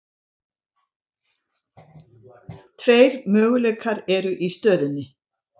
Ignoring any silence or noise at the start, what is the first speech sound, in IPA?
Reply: t̪ʰ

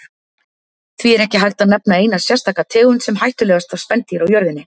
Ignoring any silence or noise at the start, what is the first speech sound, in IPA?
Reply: θ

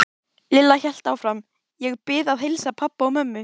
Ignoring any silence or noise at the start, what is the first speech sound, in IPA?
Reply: l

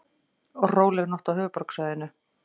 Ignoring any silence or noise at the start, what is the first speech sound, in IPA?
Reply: ɔ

